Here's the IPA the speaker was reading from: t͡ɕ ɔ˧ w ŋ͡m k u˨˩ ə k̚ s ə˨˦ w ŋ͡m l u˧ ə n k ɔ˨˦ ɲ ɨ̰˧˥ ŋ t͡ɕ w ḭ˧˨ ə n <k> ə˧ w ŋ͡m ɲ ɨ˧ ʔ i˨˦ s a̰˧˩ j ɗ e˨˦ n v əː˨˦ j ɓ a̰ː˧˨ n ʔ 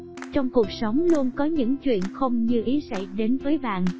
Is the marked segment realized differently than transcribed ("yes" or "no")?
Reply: yes